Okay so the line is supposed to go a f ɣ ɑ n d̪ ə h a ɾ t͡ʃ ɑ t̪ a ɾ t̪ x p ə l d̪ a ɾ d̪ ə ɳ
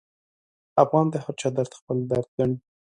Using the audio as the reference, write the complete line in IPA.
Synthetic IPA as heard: a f ɣ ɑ n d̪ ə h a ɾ t͡ʃ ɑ d̪ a ɾ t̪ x p ə l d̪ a ɾ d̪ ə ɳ